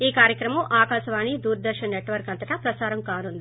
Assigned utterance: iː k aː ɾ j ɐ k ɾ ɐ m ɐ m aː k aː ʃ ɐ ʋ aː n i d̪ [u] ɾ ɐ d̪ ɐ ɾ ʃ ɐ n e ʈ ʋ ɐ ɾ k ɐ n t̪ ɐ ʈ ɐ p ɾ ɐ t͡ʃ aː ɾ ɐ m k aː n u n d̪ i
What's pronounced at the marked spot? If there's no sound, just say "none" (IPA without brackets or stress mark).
uː